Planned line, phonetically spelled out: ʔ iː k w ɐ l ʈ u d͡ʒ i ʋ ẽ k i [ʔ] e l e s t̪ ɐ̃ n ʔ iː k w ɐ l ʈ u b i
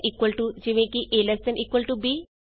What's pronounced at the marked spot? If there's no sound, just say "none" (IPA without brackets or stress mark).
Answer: ʔ